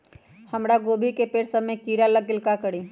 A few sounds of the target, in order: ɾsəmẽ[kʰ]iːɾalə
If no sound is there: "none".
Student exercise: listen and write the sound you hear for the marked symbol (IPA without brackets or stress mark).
k